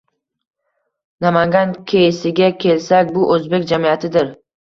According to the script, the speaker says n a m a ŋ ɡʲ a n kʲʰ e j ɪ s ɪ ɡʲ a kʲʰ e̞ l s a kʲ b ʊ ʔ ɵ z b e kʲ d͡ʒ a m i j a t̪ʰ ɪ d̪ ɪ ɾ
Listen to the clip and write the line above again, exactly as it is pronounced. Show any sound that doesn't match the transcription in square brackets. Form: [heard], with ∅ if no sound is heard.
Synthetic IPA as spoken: n a m a ŋ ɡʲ a n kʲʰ e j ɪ s ɪ ɡʲ a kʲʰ e̞ l s a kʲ b ʊ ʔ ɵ z b e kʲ d͡ʒ a m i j a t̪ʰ ɪ d̪ ɪ ɾ